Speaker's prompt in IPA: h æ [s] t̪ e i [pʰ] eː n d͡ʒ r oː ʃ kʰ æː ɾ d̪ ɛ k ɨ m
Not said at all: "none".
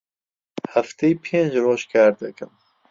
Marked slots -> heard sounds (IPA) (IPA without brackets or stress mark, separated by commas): f, pʰ